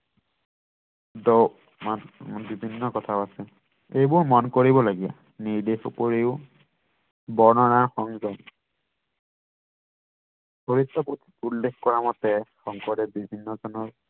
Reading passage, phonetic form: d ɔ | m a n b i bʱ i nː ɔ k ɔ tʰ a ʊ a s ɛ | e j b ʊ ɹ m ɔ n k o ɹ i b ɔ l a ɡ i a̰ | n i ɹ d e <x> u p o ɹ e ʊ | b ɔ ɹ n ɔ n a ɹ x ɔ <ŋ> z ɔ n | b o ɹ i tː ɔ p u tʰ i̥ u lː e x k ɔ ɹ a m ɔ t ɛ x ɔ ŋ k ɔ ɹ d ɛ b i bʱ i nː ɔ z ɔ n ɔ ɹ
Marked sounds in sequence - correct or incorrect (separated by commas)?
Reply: correct, correct